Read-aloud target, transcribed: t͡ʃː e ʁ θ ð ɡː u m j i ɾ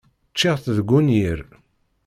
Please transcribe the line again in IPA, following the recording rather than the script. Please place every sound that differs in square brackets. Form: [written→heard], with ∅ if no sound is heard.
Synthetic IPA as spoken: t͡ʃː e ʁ θ ð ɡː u [m→n] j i ɾ